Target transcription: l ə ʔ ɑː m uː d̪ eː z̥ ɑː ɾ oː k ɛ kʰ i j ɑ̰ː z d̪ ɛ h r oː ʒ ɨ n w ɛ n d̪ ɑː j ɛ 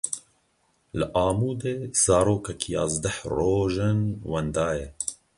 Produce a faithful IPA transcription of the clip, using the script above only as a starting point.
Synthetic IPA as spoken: l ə ʔ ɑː m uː d̪ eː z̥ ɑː ɾ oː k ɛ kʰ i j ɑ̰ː z d̪ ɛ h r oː ʒ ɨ n w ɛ n d̪ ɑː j ɛ